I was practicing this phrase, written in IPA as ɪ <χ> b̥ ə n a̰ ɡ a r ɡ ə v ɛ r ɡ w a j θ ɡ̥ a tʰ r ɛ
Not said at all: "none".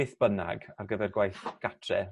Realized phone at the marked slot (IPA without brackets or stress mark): θ